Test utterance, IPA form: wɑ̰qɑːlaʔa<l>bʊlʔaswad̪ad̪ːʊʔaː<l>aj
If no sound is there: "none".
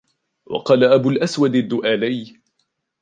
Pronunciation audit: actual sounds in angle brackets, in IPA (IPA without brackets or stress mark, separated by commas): none, l